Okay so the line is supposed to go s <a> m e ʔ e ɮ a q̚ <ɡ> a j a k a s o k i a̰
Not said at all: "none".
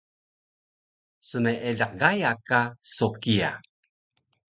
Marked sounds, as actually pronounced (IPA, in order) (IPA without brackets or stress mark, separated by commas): ə, ɡ